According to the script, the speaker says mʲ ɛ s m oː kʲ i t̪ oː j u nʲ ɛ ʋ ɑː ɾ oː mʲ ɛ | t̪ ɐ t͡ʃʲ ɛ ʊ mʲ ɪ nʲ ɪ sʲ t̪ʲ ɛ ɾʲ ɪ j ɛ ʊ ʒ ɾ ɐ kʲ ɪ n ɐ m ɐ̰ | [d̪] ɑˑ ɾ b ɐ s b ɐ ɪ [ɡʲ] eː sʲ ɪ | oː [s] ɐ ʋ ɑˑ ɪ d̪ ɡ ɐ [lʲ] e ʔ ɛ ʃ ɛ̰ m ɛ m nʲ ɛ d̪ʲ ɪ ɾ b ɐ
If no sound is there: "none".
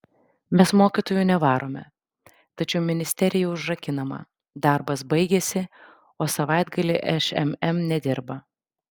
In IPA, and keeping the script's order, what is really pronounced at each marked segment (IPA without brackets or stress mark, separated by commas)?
d̪, ɡʲ, s, lʲ